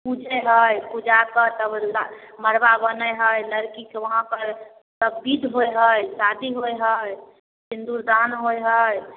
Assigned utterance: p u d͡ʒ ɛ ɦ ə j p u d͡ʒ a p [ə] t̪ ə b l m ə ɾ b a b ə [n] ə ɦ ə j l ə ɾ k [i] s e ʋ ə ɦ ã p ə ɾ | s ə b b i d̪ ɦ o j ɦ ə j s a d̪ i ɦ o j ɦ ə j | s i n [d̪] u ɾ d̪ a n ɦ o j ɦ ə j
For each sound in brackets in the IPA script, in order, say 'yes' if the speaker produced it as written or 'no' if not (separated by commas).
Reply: yes, yes, yes, yes